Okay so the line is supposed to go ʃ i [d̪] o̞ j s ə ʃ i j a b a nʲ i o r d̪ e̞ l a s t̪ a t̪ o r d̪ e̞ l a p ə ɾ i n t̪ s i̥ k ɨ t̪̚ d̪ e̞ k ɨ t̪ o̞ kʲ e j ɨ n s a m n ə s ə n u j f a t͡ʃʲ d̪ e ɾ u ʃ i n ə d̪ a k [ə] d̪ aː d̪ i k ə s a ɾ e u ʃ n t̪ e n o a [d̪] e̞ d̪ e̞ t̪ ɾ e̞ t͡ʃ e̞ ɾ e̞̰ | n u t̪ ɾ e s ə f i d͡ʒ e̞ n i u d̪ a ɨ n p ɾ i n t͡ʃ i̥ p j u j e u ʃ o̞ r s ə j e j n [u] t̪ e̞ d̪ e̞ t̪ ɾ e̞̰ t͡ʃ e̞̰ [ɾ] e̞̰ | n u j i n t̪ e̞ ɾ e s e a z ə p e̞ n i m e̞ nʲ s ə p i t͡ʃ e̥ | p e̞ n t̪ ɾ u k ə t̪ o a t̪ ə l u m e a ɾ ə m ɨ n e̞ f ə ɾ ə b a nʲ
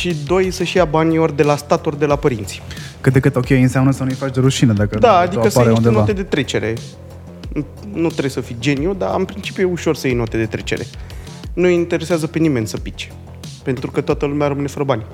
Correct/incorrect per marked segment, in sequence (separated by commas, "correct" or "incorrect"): correct, correct, incorrect, incorrect, correct